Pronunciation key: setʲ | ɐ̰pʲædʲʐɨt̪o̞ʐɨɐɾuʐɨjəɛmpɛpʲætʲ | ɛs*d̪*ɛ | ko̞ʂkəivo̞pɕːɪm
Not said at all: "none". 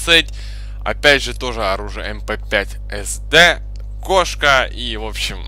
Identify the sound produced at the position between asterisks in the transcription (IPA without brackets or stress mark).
d̪